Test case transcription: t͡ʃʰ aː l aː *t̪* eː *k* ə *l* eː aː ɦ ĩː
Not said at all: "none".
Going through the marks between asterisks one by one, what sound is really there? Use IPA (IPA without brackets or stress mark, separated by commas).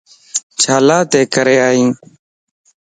t̪, k, ɾ